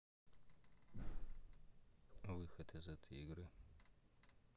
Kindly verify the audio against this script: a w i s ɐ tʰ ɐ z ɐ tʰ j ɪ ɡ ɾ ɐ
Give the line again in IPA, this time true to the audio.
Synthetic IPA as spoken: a w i x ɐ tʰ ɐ z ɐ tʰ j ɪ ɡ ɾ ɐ